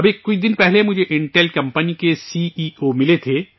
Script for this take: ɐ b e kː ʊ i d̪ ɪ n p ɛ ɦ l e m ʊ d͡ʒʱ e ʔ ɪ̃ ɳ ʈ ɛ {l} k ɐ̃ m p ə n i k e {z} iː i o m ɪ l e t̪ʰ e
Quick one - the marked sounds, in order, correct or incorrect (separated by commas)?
correct, incorrect